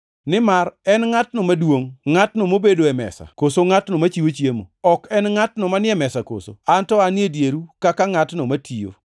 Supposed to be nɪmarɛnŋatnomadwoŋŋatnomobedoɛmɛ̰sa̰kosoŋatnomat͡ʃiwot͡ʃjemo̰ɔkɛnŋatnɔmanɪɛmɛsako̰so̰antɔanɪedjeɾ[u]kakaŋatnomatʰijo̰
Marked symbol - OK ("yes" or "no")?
yes